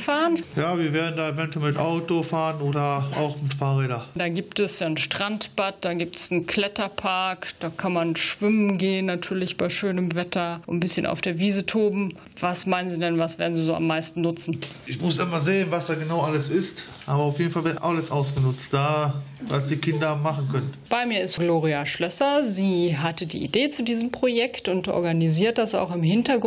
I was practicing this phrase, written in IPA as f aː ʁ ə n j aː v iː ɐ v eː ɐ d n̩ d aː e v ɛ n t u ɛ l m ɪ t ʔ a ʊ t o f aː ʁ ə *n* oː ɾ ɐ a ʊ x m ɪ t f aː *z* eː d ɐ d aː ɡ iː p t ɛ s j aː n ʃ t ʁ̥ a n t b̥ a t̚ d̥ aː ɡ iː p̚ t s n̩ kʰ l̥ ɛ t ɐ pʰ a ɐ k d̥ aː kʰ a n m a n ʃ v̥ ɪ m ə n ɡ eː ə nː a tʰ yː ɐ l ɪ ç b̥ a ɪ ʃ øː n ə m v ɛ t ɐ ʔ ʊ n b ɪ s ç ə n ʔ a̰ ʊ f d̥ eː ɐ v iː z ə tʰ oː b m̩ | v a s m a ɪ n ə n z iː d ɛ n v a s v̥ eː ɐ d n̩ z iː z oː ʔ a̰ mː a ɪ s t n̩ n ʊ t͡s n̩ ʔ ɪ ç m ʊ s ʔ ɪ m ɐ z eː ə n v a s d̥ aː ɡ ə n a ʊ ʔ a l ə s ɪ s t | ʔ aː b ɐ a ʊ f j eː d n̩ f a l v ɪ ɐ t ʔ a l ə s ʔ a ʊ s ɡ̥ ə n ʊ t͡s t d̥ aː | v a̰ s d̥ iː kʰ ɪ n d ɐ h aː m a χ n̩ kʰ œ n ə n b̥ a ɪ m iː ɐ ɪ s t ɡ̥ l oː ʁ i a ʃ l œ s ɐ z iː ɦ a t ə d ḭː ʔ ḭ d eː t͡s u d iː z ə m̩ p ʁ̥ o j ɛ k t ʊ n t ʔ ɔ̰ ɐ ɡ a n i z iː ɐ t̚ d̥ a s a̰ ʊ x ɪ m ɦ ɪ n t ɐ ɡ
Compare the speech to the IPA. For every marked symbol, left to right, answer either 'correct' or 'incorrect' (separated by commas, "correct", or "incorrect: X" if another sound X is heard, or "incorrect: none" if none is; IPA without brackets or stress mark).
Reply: correct, incorrect: ʁ